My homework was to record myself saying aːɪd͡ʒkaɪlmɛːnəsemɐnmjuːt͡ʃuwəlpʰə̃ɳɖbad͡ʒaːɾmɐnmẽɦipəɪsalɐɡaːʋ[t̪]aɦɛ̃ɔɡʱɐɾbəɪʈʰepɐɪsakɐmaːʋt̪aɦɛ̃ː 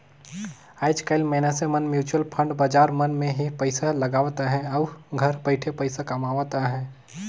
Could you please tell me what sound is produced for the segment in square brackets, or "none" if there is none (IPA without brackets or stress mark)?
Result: t̪